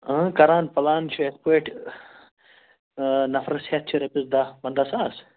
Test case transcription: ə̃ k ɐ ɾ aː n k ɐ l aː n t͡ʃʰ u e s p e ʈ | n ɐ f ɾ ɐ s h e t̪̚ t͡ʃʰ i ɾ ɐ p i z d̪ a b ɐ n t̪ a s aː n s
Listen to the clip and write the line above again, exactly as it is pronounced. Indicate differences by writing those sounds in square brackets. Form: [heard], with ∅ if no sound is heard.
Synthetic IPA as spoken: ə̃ k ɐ ɾ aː n [p] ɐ l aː n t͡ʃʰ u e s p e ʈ | n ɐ f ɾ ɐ s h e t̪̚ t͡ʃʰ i ɾ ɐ p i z d̪ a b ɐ n [d̪] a s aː [∅] s